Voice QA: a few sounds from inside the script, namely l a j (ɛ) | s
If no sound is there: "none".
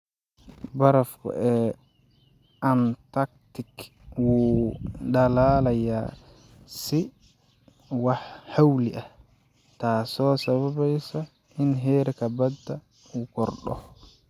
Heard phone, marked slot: a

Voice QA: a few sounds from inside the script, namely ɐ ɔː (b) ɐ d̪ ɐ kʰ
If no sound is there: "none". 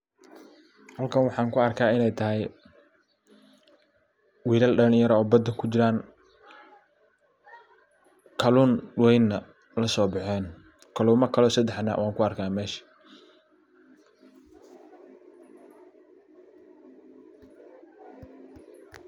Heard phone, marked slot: b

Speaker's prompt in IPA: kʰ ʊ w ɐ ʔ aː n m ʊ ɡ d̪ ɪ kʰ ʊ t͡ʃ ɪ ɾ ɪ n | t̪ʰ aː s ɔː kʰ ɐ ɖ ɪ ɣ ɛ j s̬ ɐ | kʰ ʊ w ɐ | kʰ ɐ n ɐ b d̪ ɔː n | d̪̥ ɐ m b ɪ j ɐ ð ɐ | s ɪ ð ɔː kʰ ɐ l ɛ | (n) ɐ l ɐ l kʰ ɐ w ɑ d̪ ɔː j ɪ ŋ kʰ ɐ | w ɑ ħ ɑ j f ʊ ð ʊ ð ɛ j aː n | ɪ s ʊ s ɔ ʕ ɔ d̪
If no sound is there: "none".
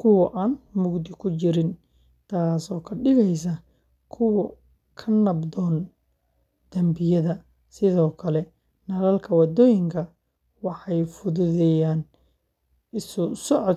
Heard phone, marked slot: n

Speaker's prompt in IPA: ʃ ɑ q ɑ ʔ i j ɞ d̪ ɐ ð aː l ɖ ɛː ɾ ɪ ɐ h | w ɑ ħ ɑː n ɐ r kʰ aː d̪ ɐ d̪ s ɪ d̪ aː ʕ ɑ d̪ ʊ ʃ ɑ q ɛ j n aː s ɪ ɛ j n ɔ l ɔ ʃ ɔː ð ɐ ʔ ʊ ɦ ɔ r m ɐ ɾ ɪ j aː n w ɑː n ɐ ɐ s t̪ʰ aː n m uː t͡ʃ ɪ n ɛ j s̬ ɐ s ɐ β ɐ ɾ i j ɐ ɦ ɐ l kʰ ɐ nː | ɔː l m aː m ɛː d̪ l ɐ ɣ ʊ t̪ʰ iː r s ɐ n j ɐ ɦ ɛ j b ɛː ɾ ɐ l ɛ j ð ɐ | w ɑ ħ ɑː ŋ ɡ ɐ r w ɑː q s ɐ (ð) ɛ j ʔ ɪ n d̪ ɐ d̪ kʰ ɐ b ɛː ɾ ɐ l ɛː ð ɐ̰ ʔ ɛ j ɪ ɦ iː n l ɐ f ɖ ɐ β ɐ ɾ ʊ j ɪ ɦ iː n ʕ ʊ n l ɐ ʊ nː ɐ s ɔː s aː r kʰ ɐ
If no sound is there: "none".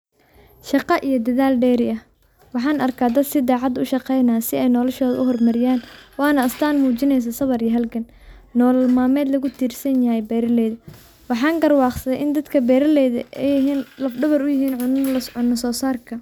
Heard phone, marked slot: ð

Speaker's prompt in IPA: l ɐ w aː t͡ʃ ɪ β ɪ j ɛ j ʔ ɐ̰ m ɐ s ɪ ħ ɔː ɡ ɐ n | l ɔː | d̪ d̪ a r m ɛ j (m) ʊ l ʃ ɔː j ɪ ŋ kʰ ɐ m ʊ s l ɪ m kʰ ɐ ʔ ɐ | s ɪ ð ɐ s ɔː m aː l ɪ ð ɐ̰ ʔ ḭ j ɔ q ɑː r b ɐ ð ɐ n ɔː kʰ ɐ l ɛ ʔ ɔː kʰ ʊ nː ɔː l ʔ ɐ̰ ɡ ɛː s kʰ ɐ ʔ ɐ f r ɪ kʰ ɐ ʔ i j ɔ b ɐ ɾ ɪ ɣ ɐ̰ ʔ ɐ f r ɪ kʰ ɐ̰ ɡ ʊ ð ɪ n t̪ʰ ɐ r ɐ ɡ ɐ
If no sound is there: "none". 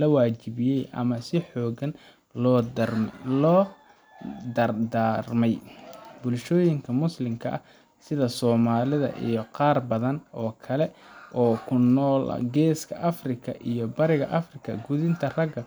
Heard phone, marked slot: b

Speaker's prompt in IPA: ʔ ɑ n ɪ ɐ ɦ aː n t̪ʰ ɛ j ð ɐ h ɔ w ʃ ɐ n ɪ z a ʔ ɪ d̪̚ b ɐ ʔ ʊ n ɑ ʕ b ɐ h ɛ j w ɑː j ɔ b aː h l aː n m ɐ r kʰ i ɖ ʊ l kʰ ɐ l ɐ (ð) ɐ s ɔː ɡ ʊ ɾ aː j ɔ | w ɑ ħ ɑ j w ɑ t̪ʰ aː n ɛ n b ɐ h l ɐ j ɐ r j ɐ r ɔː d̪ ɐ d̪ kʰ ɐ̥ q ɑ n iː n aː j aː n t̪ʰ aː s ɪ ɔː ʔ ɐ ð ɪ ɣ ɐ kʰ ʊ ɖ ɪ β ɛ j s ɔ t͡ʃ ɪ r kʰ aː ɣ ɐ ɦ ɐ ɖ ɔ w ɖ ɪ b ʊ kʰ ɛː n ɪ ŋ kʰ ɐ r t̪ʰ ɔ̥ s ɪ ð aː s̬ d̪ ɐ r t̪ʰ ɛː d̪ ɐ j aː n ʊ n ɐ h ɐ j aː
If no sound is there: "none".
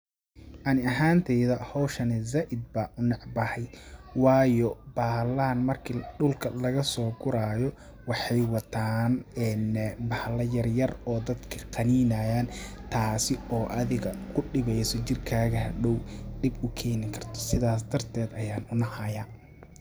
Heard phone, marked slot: ɣ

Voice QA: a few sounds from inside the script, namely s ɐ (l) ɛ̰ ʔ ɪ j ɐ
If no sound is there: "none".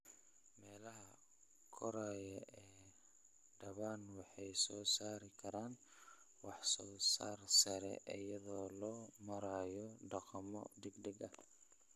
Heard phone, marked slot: ɾ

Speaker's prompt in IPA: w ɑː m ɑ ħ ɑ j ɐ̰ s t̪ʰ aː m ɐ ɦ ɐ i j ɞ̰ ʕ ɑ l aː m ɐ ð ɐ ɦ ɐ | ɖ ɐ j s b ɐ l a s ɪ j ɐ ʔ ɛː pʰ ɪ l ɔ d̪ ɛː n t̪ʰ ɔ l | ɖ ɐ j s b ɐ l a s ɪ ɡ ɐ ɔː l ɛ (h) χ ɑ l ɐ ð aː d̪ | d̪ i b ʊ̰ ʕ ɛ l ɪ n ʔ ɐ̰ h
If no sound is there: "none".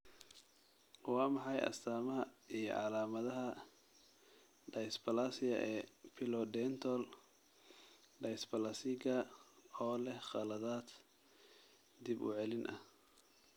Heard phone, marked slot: h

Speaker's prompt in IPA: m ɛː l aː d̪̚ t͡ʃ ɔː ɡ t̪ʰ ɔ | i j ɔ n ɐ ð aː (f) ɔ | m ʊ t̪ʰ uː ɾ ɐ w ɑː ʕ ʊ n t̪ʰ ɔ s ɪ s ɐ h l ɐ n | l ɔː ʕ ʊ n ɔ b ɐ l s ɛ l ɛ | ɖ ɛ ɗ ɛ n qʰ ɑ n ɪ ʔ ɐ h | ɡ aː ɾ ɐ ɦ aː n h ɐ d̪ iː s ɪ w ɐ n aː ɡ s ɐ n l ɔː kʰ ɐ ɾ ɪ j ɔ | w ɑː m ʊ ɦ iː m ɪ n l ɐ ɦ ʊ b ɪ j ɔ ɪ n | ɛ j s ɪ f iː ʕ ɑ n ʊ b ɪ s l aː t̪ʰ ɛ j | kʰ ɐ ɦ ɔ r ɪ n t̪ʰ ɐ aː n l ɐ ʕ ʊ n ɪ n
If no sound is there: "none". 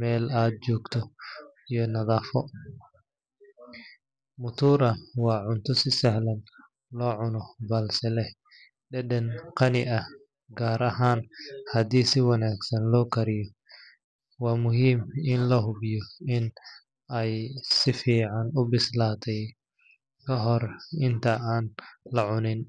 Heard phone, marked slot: f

